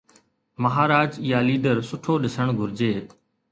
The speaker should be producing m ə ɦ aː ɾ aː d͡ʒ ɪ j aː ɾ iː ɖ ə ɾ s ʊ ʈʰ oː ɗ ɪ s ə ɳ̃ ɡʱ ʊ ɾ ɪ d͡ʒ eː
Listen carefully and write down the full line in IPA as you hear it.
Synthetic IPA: m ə ɦ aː ɾ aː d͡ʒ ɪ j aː l iː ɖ ə ɾ s ʊ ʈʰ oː ɗ ɪ s ə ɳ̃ ɡʱ ʊ ɾ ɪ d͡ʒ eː